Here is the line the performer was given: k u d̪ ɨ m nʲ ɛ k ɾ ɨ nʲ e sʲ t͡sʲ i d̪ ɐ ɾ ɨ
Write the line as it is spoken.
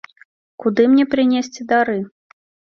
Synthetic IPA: k u d̪ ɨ m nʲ ɛ p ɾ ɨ nʲ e sʲ t͡sʲ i d̪ a ɾ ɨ